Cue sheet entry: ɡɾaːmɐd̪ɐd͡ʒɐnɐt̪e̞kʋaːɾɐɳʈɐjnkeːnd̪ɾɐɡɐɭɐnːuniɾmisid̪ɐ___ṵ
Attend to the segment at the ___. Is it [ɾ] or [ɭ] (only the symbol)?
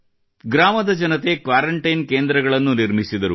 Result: ɾ